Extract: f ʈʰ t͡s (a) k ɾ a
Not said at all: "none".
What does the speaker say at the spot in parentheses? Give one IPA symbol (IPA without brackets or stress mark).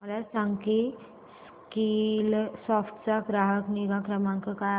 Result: a